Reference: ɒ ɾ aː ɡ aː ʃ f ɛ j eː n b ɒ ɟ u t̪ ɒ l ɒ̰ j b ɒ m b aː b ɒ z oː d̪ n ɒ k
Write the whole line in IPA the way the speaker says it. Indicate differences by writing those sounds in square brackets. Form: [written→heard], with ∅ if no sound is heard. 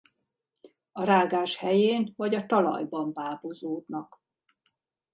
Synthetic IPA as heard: ɒ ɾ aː ɡ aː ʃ [f→h] ɛ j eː n [b→v] ɒ ɟ [u→ɒ] t̪ ɒ l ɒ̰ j b ɒ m b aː b [ɒ→o] z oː d̪ n ɒ k